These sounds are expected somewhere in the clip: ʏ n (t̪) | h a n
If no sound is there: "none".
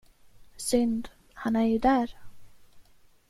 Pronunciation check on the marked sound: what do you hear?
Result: d̪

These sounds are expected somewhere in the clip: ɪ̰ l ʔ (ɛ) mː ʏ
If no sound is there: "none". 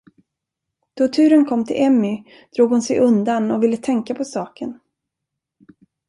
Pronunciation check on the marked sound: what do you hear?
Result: ɛ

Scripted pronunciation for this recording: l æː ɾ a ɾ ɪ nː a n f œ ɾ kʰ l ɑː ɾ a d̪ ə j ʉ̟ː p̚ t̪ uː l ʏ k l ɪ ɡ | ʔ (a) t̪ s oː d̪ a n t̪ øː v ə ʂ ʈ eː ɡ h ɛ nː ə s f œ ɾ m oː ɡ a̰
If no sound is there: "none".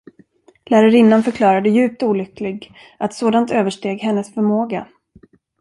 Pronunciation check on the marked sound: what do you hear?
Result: a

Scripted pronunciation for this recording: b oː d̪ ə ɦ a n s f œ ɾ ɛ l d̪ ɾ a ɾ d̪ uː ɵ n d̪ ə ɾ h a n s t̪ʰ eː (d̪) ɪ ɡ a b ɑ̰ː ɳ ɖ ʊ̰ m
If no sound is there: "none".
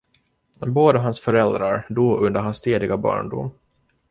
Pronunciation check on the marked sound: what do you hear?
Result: d̪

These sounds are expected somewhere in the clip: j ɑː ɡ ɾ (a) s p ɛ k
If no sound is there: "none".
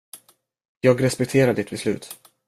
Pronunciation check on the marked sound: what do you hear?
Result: ɛ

